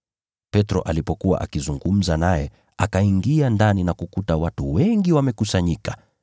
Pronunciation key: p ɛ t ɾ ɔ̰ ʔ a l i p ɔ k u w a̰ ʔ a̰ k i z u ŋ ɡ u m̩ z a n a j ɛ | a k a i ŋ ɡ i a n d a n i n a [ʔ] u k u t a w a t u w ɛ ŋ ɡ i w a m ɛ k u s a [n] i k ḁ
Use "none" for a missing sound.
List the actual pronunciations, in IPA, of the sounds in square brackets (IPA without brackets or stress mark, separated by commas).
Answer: k, ɲ